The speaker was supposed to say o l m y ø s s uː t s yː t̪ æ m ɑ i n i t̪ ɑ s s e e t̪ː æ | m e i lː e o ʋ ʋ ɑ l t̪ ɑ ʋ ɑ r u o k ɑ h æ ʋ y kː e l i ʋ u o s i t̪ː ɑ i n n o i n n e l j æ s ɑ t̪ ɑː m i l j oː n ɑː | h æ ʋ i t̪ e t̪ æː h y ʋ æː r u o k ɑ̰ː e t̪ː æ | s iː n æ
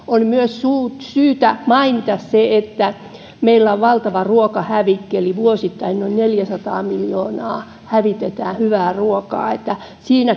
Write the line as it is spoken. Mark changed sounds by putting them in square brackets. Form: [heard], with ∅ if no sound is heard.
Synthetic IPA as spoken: o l m y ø s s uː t s yː t̪ æ m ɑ i n i t̪ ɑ s s e e t̪ː æ | m e i lː [æ] o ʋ ʋ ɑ l t̪ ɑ ʋ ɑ r u o k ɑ h æ ʋ [i] kː e l i ʋ u o s i t̪ː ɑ i n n o i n n e l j æ s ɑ t̪ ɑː m i l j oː n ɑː | h æ ʋ i t̪ e t̪ æː h y ʋ æː r u o k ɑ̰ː e t̪ː æ | s iː n æ